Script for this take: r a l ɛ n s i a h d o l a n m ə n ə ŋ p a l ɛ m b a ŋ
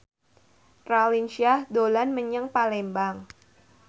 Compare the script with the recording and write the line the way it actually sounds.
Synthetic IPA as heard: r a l i n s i a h d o l a n m ə ɲ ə ŋ p a l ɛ m b a ŋ